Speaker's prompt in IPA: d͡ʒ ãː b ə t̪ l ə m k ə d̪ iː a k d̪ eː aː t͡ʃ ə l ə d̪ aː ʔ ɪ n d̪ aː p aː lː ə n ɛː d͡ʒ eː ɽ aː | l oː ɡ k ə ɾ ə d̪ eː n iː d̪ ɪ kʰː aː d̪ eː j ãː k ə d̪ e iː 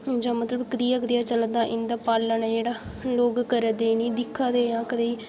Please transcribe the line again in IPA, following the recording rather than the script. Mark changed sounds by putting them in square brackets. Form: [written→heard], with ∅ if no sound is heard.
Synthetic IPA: d͡ʒ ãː [b→m] ə t̪ l ə [m→b] k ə d̪ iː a k d̪ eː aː t͡ʃ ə l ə d̪ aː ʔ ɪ n d̪ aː p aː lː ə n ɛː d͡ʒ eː ɽ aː | l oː ɡ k ə ɾ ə d̪ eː n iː d̪ ɪ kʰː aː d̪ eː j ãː k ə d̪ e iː